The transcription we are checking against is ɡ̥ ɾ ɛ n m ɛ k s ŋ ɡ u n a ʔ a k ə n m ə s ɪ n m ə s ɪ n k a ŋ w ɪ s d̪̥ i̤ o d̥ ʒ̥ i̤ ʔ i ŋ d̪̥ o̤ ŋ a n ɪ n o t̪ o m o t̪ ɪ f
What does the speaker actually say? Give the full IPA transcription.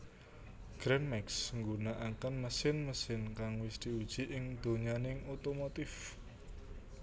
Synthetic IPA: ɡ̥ ɾ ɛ n m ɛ k s ŋ ɡ u n a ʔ a k ə n m ə s ɪ n m ə s ɪ n k a ŋ w ɪ s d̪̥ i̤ u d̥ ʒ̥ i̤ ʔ ɪ ŋ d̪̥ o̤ ɲ a n ɪ ŋ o t̪ o m o t̪ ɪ f